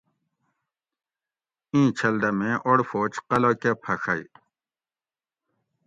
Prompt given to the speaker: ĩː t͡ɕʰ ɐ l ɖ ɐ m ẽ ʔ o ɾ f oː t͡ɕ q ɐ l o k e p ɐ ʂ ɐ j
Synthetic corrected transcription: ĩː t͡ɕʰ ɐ l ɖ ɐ m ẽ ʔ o ɽ f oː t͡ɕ q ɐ l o k e pʰ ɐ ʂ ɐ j